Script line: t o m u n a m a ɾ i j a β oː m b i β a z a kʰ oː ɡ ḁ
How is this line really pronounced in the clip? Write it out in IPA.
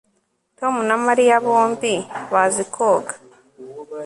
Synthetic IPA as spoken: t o m u n a m a ɾ i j a β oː m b i β a z i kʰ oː ɡ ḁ